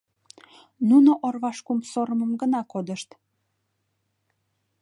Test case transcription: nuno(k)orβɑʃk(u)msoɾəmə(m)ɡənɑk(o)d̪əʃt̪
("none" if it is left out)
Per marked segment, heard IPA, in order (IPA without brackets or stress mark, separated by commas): ʔ, u, m, o